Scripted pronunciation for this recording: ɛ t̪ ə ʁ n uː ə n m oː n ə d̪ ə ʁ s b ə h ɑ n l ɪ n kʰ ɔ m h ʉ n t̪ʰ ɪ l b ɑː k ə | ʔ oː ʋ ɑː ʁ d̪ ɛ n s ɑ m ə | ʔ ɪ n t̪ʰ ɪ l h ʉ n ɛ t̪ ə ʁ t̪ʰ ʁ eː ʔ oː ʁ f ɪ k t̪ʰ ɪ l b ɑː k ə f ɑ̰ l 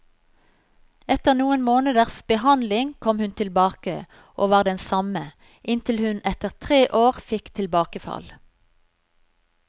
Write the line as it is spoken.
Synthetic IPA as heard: ɛ t̪ ə ʁ n uː ə n m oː n ə d̪ ə ʁ s b ə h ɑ n l ɪ ŋ kʰ ɔ m h ʉ n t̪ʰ ɪ l b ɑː k ə | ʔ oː ʋ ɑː ʁ d̪ ɛ n s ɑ m ə | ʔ ɪ n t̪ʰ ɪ l h ʉ n ɛ t̪ ə ʁ t̪ʰ ʁ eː ʔ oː ʁ f ɪ k t̪ʰ ɪ l b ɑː k ə f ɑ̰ l